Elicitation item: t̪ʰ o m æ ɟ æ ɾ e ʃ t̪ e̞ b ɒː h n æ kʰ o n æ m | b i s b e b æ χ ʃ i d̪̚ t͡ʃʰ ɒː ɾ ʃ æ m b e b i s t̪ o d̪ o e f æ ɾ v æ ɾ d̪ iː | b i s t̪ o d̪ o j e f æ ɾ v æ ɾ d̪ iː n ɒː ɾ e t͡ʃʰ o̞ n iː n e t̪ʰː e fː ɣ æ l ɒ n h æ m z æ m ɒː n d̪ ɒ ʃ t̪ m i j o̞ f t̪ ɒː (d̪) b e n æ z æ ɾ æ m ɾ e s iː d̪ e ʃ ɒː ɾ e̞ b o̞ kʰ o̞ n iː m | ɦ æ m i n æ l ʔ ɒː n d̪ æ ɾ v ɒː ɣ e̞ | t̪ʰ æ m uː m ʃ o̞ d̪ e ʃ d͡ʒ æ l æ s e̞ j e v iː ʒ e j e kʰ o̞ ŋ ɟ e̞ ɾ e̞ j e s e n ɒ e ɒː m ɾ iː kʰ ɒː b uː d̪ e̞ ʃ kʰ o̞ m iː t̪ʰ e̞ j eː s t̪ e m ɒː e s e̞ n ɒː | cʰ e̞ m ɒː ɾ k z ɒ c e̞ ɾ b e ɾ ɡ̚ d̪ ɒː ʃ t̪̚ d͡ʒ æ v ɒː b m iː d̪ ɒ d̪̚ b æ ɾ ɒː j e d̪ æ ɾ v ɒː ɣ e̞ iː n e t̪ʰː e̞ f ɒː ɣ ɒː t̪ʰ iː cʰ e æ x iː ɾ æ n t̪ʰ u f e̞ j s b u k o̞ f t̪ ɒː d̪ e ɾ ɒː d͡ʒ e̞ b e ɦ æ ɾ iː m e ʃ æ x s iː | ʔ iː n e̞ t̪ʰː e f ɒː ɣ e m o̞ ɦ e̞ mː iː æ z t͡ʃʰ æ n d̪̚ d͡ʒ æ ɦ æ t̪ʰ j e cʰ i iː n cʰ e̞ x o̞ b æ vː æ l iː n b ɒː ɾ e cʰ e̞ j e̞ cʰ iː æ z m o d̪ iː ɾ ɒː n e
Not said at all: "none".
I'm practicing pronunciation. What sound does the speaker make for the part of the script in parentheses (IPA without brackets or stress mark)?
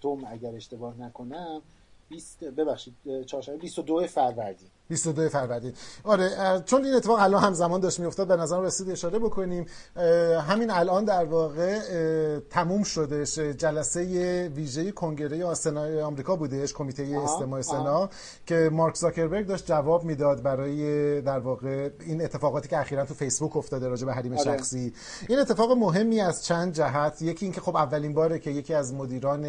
d̪